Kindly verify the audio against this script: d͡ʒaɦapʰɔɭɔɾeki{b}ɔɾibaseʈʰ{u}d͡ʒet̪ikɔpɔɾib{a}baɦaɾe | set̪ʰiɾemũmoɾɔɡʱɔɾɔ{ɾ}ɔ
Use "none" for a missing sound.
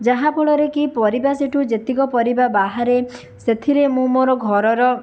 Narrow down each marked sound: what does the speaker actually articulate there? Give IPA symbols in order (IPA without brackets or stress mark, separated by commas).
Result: p, u, a, ɾ